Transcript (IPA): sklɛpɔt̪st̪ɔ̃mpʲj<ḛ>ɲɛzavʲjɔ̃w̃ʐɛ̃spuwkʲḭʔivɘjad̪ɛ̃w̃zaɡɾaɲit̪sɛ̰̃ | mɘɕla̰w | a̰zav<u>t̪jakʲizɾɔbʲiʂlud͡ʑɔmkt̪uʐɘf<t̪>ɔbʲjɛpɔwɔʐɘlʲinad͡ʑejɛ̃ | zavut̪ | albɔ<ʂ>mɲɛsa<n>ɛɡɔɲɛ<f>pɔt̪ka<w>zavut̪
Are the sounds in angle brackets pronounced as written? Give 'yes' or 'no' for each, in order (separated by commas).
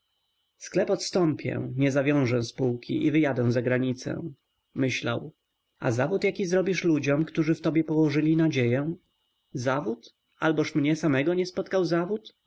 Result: no, yes, yes, yes, no, no, yes